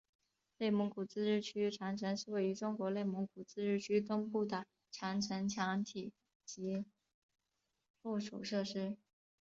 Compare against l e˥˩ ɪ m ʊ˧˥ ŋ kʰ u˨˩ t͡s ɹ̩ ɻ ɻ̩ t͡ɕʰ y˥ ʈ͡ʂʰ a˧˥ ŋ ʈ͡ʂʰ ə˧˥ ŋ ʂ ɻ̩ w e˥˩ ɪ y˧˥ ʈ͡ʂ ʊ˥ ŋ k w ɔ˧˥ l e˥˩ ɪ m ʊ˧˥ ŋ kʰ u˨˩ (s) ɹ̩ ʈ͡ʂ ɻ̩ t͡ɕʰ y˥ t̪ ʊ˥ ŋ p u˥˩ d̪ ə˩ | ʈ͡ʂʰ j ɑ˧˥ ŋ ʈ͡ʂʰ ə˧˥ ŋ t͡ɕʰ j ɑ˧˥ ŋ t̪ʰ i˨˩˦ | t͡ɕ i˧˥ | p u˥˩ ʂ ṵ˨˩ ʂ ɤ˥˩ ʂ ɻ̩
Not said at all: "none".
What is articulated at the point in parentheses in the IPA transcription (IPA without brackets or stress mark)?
t͡s